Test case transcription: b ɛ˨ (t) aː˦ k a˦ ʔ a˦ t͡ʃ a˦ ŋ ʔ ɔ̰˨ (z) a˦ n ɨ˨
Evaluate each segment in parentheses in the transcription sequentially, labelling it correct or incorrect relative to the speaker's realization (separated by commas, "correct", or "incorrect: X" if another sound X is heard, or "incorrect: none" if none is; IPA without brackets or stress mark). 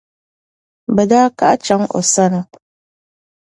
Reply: incorrect: d, incorrect: s